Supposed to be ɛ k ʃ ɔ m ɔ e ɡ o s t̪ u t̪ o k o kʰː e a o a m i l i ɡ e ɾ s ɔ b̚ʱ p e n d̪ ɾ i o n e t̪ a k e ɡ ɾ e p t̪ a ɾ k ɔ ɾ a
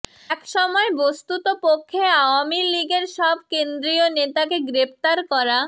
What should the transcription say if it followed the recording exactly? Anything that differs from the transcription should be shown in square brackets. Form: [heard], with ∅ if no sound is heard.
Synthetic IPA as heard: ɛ k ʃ ɔ m ɔ e [b] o s t̪ u t̪ o [p] o kʰː e a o a m i l i ɡ e ɾ [ʃ] ɔ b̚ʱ [k] e n d̪ ɾ i o n e t̪ a k e ɡ ɾ e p t̪ a ɾ k ɔ ɾ a